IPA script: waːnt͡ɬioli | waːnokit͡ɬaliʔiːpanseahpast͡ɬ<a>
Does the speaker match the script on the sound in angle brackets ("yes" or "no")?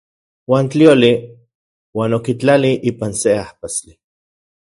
no